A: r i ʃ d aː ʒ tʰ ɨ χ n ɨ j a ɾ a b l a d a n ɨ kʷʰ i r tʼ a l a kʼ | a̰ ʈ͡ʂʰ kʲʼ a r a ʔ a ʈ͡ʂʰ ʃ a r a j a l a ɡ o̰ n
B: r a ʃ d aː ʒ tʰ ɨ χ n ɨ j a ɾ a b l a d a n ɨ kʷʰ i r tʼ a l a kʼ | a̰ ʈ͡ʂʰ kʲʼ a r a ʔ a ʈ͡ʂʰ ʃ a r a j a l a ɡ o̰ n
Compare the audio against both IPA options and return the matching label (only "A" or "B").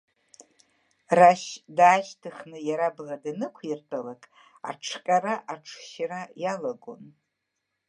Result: B